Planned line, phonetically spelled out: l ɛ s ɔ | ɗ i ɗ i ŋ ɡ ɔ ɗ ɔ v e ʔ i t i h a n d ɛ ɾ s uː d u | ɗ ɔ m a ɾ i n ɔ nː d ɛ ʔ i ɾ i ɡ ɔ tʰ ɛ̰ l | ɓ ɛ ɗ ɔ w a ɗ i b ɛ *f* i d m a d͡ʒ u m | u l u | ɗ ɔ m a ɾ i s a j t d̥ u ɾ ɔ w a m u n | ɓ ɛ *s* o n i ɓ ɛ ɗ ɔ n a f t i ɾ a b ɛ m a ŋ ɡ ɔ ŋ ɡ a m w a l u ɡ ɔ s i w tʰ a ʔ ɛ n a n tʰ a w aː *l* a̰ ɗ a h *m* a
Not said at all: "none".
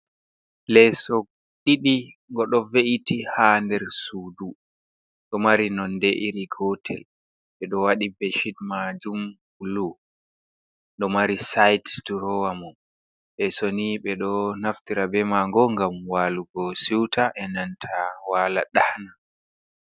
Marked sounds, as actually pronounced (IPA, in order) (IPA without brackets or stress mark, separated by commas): ʃ, s, l, n